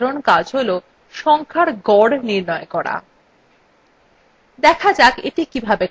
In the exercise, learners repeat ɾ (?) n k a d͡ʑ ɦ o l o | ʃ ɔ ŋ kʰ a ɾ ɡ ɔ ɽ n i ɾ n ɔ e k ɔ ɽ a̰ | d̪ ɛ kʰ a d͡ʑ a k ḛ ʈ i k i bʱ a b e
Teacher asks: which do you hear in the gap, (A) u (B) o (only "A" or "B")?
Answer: B